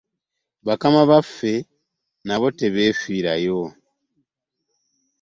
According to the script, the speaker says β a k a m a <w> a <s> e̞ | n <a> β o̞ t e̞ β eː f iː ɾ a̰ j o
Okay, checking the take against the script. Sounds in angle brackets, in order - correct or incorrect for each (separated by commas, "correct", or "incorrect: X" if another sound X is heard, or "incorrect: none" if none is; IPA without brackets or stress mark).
incorrect: β, incorrect: f, correct